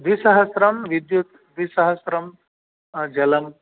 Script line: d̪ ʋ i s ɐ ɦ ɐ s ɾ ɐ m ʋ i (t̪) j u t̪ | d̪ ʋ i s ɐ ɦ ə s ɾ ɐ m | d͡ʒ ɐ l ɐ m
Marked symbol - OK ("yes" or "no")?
no